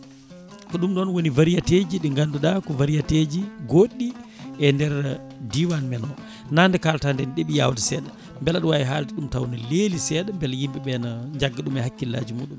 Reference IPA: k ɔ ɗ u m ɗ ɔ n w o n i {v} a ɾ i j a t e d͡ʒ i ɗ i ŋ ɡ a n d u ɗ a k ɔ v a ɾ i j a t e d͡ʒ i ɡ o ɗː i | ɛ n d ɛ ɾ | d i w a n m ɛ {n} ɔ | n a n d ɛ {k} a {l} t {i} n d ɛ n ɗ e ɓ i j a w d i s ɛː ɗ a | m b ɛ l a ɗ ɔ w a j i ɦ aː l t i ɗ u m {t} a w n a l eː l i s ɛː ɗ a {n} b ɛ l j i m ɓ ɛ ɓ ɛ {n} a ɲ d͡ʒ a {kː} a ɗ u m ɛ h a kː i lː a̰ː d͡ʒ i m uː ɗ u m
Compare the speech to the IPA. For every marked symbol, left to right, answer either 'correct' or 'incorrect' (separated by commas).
correct, correct, correct, correct, incorrect, correct, incorrect, correct, incorrect